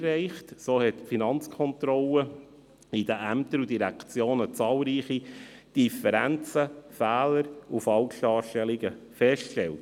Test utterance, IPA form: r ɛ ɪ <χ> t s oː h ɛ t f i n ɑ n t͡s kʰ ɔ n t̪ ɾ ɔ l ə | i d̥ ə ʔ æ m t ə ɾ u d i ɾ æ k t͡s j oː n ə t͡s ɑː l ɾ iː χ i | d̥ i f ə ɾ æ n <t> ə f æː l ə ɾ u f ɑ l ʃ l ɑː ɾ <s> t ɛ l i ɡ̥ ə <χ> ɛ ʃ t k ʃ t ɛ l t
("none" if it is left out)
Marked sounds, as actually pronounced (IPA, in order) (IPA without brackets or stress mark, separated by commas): χ, t͡s, ʃ, f